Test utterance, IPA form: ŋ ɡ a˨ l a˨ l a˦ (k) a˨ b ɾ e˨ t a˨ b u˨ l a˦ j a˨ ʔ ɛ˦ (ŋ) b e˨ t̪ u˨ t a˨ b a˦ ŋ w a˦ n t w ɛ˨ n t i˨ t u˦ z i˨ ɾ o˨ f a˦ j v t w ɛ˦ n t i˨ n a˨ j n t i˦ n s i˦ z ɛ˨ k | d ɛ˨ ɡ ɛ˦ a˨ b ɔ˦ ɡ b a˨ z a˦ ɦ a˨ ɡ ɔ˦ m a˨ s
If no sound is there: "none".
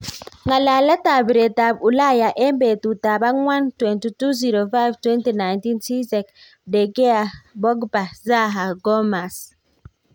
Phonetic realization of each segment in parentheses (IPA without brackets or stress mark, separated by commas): t, m